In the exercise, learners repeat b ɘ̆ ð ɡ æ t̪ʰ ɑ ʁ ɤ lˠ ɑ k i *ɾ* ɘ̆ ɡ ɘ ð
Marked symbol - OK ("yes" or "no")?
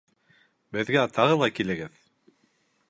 no